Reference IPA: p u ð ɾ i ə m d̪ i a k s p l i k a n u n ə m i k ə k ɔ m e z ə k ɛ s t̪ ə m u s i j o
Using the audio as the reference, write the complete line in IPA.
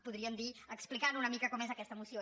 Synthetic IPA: p u ð ɾ i ə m d̪ i ə k s p l i k a n u n ə m i k ə k ɔ m e z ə k ɛ s t̪ ə m u s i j o